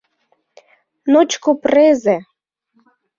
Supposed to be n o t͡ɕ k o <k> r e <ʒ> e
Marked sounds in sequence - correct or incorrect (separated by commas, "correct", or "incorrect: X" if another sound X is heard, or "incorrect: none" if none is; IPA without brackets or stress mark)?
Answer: incorrect: p, incorrect: z